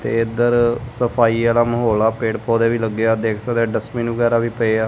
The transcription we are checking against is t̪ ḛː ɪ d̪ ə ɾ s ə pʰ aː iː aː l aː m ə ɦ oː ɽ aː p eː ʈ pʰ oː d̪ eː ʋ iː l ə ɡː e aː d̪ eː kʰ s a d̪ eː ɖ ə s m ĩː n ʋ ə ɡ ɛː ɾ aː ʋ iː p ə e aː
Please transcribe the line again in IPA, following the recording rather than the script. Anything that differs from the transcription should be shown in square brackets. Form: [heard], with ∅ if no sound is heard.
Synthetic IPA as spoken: t̪ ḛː ɪ d̪ ə ɾ s ə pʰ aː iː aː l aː m ə ɦ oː [l] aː p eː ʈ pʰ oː d̪ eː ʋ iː l ə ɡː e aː d̪ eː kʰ s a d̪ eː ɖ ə s m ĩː n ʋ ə ɡ ɛː ɾ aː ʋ iː p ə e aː